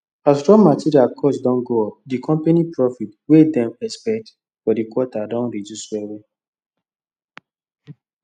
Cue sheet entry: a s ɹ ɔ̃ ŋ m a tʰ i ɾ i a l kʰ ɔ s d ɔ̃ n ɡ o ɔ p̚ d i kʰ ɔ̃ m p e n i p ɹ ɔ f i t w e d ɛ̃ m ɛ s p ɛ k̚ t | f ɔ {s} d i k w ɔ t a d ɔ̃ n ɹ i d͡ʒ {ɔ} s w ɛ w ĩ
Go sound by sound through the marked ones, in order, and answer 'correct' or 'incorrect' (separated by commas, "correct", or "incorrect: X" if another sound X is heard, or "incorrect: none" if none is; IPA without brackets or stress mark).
incorrect: none, incorrect: u